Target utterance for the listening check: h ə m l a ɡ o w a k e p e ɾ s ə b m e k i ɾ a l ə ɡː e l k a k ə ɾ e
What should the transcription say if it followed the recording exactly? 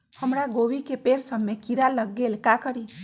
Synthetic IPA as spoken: h ə m ɾ a ɡ o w i k e p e ɾ s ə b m e k i ɾ a l ə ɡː e l k a k ə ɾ i